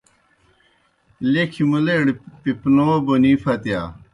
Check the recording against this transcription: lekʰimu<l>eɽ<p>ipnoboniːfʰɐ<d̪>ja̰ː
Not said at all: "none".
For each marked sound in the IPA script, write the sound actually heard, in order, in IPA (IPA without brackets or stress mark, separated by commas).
l, p, t̪